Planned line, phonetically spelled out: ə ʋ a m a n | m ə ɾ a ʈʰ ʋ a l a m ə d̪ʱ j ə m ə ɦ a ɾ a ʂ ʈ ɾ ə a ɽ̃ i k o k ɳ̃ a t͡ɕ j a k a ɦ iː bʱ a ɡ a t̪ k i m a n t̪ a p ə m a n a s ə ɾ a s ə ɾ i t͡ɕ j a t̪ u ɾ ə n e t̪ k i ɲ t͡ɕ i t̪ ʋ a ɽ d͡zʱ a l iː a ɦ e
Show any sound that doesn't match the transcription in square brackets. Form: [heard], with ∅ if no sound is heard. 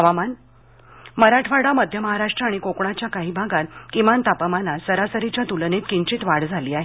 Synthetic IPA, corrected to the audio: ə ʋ a m a n | m ə ɾ a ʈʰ ʋ a [ɽ] a m ə d̪ʱ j ə m ə ɦ a ɾ a ʂ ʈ ɾ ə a ɽ̃ i k o k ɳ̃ a t͡ɕ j a k a ɦ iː bʱ a ɡ a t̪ k i m a n t̪ a p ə m a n a s ə ɾ a s ə ɾ i t͡ɕ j a t̪ u [l] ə n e t̪ k i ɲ t͡ɕ i t̪ ʋ a ɽ d͡zʱ a l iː a ɦ e